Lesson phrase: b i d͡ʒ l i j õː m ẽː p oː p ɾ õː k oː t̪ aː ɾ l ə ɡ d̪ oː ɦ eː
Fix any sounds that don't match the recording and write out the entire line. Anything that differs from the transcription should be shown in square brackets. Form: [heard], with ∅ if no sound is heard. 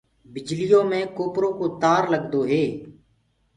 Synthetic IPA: b [ɪ] d͡ʒ l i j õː m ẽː [k] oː p ɾ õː k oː t̪ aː ɾ l ə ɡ d̪ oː ɦ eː